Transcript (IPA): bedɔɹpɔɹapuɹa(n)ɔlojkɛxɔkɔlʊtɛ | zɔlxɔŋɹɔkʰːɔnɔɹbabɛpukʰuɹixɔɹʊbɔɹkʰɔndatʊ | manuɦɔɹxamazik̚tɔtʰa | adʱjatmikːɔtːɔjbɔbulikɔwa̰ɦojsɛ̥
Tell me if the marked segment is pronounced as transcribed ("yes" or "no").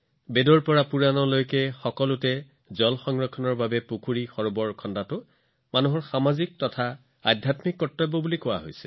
yes